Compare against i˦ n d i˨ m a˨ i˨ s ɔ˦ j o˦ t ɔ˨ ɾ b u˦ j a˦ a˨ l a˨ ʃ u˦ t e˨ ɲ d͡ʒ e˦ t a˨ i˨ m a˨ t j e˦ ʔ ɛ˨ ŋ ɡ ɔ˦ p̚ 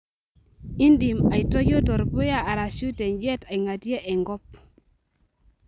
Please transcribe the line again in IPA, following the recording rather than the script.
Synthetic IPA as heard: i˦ n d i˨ m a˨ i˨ t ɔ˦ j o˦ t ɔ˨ ɾ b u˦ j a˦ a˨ ɾ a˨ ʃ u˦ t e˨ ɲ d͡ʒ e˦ t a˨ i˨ ŋ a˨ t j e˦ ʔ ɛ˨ ŋ ɡ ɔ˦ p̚